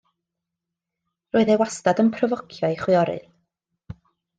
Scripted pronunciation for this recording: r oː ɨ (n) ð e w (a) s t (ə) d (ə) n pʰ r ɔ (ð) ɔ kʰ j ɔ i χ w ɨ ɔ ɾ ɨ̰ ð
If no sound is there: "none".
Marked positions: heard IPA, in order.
none, a, a, ə, v

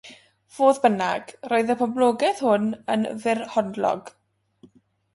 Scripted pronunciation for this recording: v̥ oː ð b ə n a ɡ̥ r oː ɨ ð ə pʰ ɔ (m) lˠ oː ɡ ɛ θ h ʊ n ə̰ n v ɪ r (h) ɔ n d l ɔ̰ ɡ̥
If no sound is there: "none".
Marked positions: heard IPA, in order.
b, h

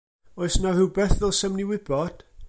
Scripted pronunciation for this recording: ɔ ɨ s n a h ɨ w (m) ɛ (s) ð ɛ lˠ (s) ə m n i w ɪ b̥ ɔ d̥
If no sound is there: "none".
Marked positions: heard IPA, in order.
b, θ, s

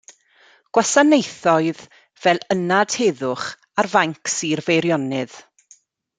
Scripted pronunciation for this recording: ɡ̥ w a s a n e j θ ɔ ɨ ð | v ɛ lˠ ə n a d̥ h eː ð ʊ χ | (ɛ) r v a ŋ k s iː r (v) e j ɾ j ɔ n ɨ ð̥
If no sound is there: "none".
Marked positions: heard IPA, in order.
a, v

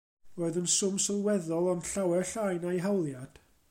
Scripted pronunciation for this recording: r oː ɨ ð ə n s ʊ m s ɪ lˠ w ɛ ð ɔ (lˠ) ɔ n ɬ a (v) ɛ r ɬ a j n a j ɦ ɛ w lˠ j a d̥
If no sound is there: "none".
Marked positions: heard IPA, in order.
lˠ, w

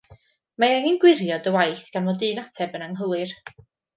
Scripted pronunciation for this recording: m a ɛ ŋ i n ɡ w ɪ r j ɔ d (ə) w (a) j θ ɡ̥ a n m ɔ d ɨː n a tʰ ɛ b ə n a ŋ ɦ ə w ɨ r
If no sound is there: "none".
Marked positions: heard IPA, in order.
ə, a

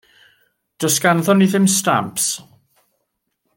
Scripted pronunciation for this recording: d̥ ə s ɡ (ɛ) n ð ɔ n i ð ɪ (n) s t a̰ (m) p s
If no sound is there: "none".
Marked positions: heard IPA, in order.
a, m, m

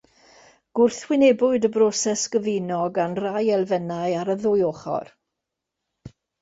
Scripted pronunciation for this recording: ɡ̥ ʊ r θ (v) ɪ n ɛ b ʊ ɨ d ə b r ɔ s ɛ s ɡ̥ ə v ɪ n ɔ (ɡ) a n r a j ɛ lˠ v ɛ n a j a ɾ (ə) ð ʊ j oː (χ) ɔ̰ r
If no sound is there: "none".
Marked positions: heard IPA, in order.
w, ɡ, ə, χ

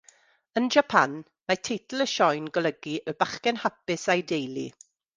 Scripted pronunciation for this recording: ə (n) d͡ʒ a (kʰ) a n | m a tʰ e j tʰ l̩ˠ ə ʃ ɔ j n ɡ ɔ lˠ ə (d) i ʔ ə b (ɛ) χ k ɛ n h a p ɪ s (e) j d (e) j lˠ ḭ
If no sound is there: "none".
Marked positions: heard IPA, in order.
n, pʰ, ɡ, a, a, e

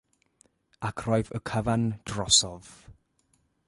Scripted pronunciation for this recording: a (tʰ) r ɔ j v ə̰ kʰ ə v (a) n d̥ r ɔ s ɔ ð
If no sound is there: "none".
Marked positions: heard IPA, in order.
kʰ, a

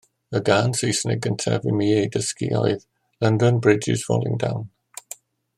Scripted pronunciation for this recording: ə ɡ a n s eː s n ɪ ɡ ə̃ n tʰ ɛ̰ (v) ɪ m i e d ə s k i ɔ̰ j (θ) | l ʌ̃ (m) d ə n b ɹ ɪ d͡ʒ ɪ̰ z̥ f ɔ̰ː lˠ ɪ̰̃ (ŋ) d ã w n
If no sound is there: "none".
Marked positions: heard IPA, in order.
v, ð, n, ŋ

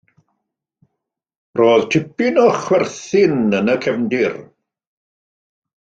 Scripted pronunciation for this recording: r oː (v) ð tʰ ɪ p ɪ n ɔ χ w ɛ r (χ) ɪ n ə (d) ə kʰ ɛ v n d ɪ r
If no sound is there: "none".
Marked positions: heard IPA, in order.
none, θ, n

